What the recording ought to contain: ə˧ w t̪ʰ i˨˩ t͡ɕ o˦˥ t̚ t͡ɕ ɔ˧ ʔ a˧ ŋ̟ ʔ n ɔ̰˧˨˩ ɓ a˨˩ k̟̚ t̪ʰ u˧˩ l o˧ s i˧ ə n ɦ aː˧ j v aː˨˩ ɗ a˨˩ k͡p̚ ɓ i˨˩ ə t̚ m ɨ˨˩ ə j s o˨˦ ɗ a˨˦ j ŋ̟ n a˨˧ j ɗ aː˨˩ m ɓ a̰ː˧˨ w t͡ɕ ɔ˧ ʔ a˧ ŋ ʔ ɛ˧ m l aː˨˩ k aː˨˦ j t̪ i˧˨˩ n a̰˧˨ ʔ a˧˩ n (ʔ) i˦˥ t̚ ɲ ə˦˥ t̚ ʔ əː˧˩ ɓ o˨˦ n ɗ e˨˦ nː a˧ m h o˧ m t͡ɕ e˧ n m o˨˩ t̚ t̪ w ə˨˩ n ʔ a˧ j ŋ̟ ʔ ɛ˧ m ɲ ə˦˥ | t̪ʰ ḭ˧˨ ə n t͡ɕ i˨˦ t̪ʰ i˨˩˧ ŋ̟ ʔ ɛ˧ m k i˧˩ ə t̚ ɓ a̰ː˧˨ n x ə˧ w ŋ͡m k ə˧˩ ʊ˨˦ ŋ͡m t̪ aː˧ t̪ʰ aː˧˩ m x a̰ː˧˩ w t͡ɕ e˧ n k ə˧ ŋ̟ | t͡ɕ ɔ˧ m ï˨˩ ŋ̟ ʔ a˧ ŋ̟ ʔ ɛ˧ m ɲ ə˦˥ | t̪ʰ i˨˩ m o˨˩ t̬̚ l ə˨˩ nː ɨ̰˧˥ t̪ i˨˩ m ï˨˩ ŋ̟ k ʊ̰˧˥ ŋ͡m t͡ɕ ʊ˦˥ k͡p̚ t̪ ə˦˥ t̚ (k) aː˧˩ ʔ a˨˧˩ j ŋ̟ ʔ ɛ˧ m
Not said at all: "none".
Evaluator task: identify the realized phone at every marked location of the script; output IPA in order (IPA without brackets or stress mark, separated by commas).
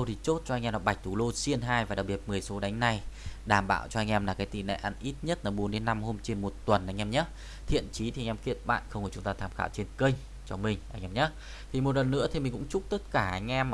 ʔ, k